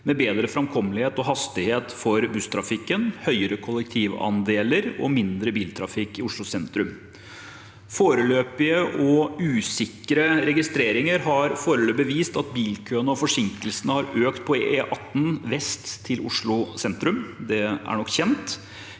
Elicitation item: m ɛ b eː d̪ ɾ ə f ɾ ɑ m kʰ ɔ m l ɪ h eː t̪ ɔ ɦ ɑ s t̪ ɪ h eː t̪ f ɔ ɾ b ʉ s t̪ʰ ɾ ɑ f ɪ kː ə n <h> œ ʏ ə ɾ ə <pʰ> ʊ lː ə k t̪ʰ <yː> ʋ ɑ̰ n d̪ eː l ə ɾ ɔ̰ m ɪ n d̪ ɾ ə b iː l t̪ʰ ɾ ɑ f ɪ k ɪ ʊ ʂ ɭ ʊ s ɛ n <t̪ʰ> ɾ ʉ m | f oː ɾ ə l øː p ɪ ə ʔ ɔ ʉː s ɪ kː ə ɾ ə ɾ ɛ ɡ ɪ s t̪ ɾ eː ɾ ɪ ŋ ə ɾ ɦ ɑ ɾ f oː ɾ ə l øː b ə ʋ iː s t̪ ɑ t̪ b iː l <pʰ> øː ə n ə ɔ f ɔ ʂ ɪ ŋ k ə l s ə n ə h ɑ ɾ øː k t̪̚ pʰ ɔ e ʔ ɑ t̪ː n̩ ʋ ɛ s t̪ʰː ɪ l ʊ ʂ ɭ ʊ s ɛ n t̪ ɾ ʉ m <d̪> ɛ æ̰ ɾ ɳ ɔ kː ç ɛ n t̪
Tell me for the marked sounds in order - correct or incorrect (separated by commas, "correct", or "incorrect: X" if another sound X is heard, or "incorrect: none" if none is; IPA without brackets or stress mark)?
correct, incorrect: kʰ, incorrect: iː, incorrect: t̪, incorrect: kʰ, correct